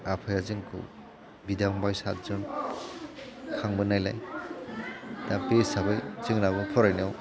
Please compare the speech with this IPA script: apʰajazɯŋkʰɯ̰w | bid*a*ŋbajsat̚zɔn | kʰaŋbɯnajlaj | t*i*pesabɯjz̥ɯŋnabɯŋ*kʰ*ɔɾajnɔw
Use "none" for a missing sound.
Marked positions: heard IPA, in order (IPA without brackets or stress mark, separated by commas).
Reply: a, a, pʰ